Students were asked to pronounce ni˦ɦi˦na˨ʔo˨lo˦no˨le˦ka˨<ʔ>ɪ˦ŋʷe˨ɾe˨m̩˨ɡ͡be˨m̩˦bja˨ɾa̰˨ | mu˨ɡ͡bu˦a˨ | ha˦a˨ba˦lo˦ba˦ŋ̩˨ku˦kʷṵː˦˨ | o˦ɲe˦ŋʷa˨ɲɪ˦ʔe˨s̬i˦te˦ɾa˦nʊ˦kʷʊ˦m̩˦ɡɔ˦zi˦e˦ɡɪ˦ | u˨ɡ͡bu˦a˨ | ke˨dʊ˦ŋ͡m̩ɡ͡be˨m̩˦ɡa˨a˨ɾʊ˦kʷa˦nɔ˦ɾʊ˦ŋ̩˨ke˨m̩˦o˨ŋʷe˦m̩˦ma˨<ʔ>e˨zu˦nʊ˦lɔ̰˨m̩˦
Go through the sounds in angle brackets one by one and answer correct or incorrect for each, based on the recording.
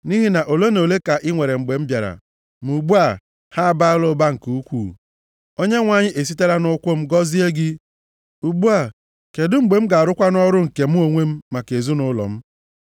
correct, incorrect: k

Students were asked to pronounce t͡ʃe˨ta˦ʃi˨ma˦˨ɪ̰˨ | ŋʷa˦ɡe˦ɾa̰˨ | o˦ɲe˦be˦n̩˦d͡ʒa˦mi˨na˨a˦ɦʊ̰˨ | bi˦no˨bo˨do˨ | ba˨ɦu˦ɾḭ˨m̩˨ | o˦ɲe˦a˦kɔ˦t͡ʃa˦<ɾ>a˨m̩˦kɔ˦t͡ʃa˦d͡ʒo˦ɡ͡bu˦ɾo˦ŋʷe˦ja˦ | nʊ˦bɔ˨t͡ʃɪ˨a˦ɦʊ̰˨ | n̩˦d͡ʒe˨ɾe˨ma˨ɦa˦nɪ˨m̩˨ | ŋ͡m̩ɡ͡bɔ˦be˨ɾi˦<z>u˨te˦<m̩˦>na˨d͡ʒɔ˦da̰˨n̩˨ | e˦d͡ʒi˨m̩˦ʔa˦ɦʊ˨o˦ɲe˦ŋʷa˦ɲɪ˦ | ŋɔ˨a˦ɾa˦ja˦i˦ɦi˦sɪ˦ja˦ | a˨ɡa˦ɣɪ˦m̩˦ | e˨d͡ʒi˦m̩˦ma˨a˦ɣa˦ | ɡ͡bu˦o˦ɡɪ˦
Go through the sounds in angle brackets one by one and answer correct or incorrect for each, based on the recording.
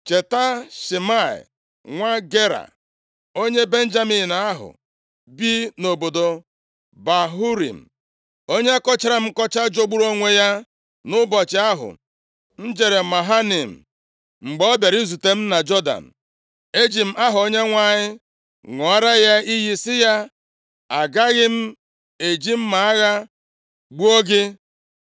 correct, correct, correct

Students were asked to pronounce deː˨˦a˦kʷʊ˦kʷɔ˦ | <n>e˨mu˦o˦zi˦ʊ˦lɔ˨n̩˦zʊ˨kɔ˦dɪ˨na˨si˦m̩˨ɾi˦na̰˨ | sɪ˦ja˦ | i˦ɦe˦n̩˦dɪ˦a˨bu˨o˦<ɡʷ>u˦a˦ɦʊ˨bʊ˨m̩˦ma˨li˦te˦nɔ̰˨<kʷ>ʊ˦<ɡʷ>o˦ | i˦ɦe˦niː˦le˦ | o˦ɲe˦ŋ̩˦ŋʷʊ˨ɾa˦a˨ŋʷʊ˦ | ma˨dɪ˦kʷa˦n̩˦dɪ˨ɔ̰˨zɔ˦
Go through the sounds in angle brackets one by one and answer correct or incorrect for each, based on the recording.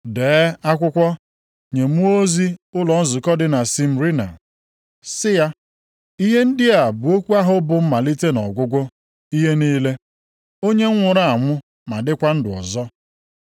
incorrect: ɲ, incorrect: kʷ, incorrect: ɡʷ, correct

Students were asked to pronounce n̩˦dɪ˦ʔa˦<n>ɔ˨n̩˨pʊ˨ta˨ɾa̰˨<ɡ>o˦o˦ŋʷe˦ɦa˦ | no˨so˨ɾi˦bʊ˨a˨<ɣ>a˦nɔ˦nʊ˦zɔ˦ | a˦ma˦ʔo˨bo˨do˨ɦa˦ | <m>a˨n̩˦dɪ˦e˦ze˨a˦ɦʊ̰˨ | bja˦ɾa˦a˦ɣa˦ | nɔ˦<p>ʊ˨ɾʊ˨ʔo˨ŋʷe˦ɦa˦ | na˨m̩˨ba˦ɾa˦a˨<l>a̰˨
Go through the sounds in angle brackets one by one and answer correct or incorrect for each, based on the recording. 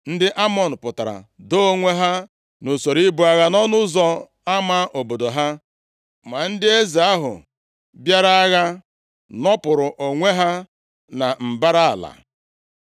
incorrect: m, incorrect: d, correct, correct, correct, correct

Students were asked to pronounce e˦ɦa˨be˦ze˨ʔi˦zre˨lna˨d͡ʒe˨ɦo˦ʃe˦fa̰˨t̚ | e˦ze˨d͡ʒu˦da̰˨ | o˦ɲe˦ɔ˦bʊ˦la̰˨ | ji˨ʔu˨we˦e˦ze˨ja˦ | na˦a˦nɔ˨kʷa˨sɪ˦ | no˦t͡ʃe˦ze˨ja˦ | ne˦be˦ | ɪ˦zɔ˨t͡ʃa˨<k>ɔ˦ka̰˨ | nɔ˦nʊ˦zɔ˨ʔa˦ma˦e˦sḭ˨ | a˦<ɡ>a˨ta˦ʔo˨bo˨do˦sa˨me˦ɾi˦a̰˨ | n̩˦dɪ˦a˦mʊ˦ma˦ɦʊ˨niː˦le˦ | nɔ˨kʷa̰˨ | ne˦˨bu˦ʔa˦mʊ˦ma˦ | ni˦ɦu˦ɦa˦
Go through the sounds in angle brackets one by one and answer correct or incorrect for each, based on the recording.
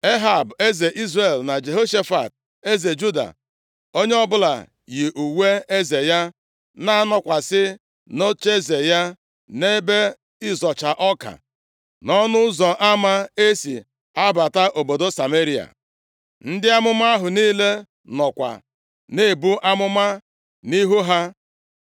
incorrect: ʔ, incorrect: b

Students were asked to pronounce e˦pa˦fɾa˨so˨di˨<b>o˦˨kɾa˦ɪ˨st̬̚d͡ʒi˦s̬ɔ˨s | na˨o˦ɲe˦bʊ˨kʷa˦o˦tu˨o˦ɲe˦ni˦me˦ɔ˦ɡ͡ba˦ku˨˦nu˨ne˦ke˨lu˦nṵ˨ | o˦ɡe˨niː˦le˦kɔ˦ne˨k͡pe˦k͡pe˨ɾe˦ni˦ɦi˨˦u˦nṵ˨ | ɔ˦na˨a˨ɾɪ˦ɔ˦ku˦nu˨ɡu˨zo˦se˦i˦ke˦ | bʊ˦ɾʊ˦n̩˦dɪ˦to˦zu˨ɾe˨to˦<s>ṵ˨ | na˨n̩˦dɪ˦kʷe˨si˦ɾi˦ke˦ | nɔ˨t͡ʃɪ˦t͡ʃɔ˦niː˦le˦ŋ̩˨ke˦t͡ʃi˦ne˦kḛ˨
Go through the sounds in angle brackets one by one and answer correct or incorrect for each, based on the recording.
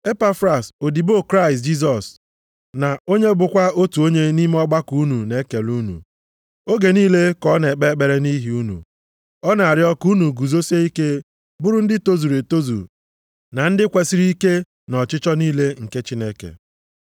correct, incorrect: z

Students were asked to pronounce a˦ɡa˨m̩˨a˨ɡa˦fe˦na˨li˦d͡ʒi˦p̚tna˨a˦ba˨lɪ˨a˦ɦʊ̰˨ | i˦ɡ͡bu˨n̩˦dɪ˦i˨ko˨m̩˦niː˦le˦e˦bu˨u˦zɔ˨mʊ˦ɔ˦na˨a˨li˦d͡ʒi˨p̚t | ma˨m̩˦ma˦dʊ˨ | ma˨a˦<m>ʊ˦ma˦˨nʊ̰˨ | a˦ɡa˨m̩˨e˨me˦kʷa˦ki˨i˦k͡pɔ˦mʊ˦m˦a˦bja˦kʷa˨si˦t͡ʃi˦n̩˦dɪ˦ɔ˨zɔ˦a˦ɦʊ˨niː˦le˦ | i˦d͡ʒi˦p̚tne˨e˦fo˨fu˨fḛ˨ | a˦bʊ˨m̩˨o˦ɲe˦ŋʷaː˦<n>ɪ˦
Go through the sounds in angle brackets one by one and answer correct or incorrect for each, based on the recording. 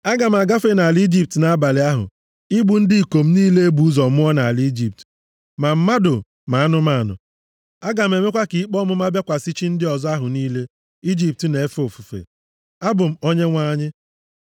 incorrect: n, incorrect: ɲ

